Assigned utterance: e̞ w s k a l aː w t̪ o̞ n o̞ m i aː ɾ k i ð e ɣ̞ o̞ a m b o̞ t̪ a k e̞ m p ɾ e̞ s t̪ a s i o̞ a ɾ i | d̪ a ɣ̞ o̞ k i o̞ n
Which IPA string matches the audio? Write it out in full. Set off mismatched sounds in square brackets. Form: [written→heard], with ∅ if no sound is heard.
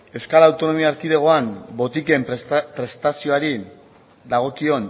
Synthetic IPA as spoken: e̞ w s k a l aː w t̪ o̞ n o̞ m i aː ɾ k i ð e ɣ̞ o̞ a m b o̞ t̪ [a→i] k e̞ m p ɾ e̞ s t̪ a s i o̞ a ɾ i | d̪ a ɣ̞ o̞ k i o̞ n

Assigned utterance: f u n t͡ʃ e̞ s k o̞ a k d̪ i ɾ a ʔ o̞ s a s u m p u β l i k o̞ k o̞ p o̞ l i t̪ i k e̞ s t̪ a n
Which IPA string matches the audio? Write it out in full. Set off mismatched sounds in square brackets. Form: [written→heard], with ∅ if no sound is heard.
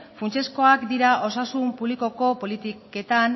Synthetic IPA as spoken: f u n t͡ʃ e̞ s k o̞ a k d̪ i ɾ a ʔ o̞ s a s u m p u β l i k o̞ k o̞ p o̞ l i t̪ i k e̞ [s→∅] t̪ a n

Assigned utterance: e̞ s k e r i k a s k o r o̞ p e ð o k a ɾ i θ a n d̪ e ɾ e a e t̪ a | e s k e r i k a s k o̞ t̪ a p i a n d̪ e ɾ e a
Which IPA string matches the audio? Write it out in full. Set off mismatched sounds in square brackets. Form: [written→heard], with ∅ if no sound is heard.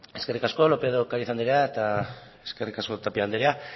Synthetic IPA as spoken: e̞ s k e r i k a s k o [r→l] o̞ p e ð o k a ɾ i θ a n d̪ e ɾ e a e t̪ a | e s k e r i k a s k o̞ t̪ a p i a n d̪ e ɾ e a

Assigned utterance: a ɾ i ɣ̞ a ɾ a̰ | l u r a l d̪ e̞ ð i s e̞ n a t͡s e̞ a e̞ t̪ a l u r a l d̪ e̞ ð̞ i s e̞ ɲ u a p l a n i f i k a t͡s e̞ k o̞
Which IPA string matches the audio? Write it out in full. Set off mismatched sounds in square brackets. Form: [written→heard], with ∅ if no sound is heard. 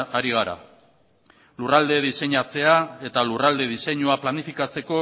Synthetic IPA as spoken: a ɾ i ɣ̞ a ɾ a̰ | l u r a l d̪ e̞ ð i s e̞ [n→ɲ] a t͡s e̞ a e̞ t̪ a l u r a l d̪ e̞ ð̞ i s e̞ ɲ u a p l a n i f i k a t͡s e̞ k o̞

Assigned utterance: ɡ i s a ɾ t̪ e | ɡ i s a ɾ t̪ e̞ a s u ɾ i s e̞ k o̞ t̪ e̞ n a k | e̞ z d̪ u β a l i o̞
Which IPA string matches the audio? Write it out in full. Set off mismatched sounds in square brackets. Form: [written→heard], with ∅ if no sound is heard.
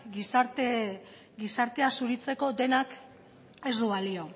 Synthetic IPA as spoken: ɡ i s a ɾ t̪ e | ɡ i s a ɾ t̪ e̞ a s u ɾ i [s→t͡s] e̞ k o̞ [t̪→d̪] e̞ n a k | e̞ z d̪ u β a l i o̞

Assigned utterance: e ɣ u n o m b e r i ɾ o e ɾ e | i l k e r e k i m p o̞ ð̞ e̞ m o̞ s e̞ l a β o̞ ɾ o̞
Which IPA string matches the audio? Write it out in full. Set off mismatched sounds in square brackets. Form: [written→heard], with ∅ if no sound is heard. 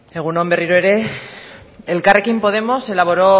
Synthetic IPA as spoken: e ɣ u n o m b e r i ɾ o e ɾ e | [i→e] l k [e→a] r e k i m p o̞ ð̞ e̞ m o̞ s e̞ l a β o̞ ɾ o̞

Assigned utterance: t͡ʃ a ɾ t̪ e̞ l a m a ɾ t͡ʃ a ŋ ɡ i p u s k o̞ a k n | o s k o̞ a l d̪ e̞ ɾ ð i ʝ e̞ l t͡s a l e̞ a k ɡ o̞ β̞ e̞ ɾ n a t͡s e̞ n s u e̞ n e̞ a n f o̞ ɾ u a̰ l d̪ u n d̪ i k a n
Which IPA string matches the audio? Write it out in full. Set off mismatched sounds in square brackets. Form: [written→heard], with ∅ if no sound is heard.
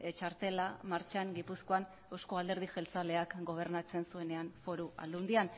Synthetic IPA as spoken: t͡ʃ a ɾ t̪ e̞ l a m a ɾ t͡ʃ a ŋ ɡ i p u s k o̞ a [k→∅] n | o s k o̞ a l d̪ e̞ ɾ ð i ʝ e̞ l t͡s a l e̞ a k ɡ o̞ β̞ e̞ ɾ n a t͡s e̞ n s u e̞ n e̞ a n f o̞ ɾ u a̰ l d̪ u n d̪ i [k→∅] a n

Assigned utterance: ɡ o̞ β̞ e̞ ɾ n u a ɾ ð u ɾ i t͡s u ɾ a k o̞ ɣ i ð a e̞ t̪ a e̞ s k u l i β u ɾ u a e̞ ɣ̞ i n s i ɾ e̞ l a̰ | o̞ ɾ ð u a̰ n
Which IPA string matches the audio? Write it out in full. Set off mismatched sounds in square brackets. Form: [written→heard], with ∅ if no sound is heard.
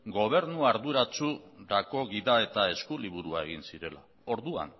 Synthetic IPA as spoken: ɡ o̞ β̞ e̞ ɾ n u a ɾ ð u ɾ [i→a] t͡s u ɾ a k o̞ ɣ i ð a e̞ t̪ a e̞ s k u l i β u ɾ u a e̞ ɣ̞ i n s i ɾ e̞ l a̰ | o̞ ɾ ð u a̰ n

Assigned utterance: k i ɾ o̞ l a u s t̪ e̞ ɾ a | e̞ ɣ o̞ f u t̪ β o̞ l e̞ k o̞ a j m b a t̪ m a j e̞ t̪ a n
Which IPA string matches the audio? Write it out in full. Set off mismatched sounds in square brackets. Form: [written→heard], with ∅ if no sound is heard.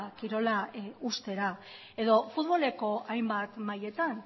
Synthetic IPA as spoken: k i ɾ o̞ l a u s t̪ e̞ ɾ a | e̞ [ɣ→ð] o̞ f u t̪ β o̞ l e̞ k o̞ a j m b a t̪ m a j e̞ t̪ a n

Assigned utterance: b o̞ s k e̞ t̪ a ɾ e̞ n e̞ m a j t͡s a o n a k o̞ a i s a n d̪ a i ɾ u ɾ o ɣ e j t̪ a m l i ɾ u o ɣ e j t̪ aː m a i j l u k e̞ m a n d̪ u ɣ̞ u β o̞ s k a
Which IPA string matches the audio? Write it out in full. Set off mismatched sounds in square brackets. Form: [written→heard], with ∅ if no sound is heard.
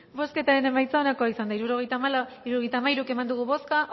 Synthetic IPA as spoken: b o̞ s k e̞ t̪ a ɾ e̞ n e̞ m a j t͡s a o n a k o̞ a i s a n d̪ a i ɾ u ɾ o ɣ e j t̪ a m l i ɾ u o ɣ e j t̪ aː m a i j [l→ɾ] u k e̞ m a n d̪ u ɣ̞ u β o̞ s k a

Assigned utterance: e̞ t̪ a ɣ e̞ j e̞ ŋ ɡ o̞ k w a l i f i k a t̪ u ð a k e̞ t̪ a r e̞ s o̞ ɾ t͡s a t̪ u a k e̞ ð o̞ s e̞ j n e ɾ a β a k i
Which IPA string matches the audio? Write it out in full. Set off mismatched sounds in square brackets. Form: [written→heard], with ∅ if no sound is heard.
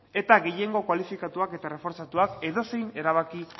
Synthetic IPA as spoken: e̞ t̪ a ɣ e̞ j e̞ ŋ ɡ o̞ k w a l i f i k a t̪ u [ð→∅] a k e̞ t̪ a r e̞ [s→f] o̞ ɾ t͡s a t̪ u a k e̞ ð o̞ s e̞ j n e ɾ a β a k i

